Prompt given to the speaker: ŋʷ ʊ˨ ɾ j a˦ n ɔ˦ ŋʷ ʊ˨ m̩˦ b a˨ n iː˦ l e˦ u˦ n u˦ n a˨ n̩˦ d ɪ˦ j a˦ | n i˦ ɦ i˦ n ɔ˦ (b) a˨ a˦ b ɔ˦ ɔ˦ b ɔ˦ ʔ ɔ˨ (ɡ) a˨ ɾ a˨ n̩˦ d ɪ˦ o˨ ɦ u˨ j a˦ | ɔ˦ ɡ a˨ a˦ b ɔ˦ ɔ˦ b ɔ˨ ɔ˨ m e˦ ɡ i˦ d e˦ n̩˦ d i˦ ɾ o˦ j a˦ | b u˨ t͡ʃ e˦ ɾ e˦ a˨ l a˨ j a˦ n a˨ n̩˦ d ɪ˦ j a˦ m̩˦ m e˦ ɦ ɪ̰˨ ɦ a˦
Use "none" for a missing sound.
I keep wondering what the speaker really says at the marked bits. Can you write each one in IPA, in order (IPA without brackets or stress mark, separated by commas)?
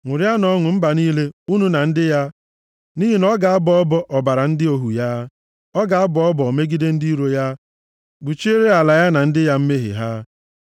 ɡ, b